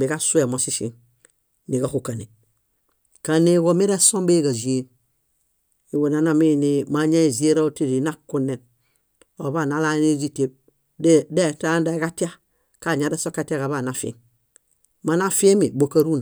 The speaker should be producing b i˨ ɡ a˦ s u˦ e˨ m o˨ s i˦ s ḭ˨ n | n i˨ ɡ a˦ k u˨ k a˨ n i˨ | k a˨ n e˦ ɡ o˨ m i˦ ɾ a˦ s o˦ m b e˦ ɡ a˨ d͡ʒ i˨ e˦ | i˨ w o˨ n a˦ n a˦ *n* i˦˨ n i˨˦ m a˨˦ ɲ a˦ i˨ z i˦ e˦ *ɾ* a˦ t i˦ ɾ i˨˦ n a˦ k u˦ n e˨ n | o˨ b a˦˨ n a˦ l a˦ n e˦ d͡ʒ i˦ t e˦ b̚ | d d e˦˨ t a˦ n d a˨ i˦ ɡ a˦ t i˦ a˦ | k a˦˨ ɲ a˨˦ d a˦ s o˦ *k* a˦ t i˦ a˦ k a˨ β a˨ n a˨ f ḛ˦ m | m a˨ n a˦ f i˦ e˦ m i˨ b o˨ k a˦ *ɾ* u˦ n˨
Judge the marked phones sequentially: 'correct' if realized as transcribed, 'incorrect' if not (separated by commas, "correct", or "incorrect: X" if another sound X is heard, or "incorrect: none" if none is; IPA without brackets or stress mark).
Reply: incorrect: m, correct, correct, correct